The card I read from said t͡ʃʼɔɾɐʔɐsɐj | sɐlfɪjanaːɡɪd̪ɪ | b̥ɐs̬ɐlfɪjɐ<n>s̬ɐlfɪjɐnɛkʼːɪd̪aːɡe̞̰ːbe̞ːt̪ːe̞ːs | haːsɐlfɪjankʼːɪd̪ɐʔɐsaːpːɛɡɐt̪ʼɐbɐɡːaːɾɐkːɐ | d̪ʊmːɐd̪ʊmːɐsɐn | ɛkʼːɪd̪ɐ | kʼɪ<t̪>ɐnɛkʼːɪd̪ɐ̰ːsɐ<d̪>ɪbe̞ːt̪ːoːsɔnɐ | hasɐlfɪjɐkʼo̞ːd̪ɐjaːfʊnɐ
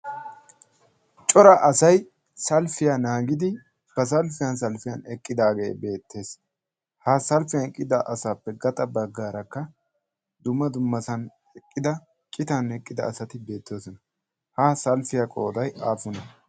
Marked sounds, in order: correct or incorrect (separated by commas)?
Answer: correct, correct, incorrect